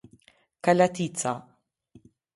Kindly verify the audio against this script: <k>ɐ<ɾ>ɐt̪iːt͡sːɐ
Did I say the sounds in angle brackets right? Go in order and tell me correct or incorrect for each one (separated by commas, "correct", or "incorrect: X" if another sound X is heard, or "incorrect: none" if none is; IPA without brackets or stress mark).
correct, incorrect: l